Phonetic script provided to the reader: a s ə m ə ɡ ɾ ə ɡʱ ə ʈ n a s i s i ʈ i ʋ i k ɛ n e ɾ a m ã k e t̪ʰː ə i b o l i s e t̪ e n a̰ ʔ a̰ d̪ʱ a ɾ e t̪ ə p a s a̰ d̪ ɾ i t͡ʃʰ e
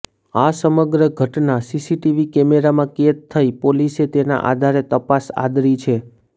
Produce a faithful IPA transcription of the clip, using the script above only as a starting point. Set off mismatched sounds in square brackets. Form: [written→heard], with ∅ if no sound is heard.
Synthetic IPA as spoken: a s ə m ə ɡ ɾ ə ɡʱ ə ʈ n a s i s i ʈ i ʋ i k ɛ [n→m] e ɾ a m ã k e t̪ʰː ə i [b→p] o l i s e t̪ e n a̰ ʔ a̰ d̪ʱ a ɾ e t̪ ə p a s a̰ d̪ ɾ i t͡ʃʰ e